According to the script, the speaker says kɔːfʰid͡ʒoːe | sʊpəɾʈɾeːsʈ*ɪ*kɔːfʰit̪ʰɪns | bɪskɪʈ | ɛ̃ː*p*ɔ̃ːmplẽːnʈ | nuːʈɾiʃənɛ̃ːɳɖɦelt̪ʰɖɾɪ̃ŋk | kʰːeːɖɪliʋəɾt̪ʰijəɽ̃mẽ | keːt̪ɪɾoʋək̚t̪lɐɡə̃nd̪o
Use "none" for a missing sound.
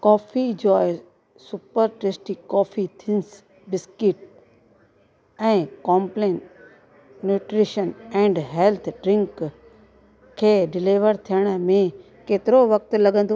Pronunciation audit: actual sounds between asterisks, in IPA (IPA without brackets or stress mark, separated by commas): i, k